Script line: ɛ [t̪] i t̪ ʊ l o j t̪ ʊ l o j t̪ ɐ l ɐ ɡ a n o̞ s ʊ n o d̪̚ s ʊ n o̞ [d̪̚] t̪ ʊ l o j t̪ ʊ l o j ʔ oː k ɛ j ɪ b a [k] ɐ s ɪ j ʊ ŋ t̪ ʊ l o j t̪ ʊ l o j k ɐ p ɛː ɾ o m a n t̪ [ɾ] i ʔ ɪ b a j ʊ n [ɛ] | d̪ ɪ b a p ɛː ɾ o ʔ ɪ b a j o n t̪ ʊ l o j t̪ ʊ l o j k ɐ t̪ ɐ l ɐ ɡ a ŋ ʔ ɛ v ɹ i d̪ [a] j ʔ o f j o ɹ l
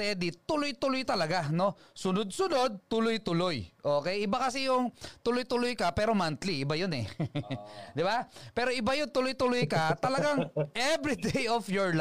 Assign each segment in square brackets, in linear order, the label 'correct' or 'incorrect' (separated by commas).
incorrect, correct, correct, incorrect, correct, incorrect